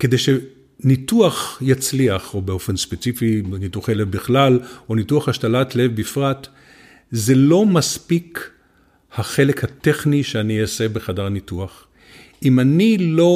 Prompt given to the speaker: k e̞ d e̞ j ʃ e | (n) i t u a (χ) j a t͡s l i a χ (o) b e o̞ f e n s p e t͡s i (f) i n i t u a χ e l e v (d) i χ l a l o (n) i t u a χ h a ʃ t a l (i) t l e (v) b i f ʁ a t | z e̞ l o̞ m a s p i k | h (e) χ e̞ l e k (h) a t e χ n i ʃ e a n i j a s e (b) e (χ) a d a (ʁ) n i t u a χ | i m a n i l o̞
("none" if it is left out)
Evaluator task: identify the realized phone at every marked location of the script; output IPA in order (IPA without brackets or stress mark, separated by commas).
n, χ, o, f, b, n, a, v, a, h, b, χ, ʁ